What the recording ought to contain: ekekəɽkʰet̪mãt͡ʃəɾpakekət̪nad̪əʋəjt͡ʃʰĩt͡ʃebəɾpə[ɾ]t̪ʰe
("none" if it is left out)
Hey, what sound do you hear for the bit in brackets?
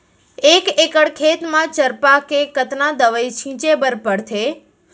ɽ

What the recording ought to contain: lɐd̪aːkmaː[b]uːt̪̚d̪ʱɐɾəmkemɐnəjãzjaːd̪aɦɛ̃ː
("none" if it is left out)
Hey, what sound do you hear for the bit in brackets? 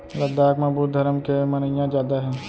b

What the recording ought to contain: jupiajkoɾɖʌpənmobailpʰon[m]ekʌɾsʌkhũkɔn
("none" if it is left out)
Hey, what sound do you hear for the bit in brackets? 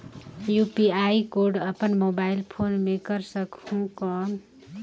m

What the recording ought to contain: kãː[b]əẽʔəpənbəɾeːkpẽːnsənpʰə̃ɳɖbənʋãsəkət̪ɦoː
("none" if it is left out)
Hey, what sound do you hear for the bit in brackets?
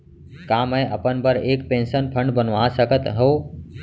m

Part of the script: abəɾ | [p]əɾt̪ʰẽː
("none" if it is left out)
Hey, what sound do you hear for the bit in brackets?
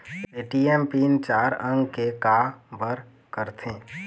k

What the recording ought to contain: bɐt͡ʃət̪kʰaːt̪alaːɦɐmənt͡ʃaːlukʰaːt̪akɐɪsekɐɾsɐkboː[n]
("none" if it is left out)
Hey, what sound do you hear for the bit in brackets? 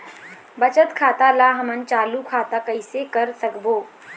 none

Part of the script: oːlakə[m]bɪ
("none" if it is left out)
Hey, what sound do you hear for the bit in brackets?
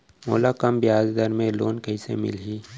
m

